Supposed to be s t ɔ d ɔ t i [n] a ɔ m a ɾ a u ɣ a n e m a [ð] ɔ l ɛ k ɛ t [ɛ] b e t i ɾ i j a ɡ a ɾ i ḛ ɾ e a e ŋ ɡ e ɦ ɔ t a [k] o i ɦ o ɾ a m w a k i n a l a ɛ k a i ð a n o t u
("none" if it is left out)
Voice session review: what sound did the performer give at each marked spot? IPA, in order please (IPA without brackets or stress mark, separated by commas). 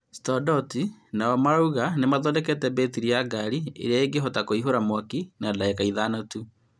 n, ð, ɛ, k